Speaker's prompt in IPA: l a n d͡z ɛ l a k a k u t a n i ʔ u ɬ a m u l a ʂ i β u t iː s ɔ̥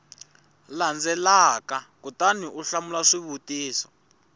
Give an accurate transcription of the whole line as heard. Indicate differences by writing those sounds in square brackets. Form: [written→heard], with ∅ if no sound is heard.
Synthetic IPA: l a n d͡z ɛ l a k a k u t a n i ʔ u ɬ a m u l a ʂ i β u t iː s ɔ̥